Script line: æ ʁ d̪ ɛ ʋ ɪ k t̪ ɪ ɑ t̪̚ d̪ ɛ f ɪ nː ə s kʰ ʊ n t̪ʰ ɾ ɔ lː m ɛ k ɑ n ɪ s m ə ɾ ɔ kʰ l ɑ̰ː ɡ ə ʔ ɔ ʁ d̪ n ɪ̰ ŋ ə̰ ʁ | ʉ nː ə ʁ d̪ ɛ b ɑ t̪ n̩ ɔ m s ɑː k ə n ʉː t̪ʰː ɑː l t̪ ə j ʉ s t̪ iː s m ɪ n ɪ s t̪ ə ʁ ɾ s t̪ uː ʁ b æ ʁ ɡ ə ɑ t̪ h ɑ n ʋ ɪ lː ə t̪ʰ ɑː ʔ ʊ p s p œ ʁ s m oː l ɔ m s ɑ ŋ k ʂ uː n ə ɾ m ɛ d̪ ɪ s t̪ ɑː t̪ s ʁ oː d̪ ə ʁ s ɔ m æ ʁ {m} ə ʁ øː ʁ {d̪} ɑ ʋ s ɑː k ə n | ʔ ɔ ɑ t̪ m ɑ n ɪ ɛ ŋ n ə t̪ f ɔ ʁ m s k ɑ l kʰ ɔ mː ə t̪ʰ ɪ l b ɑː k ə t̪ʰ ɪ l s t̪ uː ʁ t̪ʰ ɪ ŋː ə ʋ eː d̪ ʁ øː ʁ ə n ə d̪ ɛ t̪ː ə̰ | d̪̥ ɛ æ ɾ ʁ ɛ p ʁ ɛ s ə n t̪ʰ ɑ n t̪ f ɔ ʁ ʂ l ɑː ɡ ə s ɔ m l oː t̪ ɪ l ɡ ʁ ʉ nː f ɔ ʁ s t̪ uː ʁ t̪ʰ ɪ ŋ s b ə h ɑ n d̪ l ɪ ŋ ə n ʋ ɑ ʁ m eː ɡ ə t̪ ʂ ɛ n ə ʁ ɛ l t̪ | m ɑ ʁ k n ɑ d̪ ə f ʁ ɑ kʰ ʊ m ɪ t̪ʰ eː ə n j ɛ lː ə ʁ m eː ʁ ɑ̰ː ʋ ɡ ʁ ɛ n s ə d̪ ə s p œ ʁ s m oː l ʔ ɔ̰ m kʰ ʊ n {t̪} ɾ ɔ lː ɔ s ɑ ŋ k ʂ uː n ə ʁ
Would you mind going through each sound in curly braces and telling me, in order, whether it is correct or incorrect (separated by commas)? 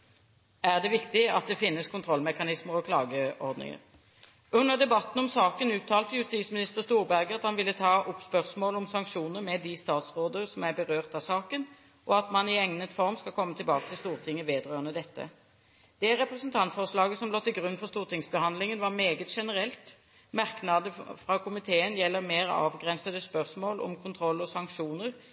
incorrect, incorrect, incorrect